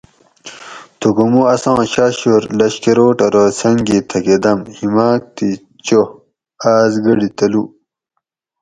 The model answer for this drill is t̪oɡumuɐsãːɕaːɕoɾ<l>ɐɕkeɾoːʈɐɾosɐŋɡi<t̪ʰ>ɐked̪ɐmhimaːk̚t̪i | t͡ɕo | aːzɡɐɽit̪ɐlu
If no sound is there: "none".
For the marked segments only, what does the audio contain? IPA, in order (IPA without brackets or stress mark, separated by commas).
l, t̪ʰ